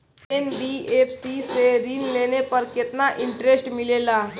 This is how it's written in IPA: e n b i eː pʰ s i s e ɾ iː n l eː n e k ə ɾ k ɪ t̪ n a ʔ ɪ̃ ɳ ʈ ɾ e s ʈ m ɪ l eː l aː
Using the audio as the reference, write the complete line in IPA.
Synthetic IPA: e n b i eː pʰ s i s e ɾ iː n l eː n e p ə ɾ k ɪ t̪ n a ʔ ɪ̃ ɳ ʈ ɾ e s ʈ m ɪ l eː l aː